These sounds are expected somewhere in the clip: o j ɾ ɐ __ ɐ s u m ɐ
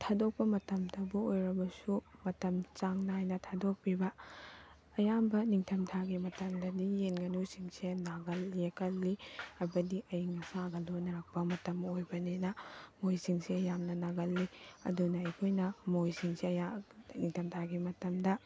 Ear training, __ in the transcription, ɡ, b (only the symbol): b